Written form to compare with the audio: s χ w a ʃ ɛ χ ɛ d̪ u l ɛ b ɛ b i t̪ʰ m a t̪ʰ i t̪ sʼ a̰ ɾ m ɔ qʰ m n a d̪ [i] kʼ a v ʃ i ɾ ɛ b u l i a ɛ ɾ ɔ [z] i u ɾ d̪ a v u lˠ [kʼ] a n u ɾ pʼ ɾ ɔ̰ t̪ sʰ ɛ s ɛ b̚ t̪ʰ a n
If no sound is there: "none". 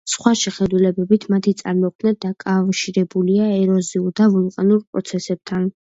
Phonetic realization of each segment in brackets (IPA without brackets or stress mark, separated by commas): a, z, qʼ